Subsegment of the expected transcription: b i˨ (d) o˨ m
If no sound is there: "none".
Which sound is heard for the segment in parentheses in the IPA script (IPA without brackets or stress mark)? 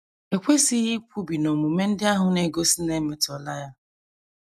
n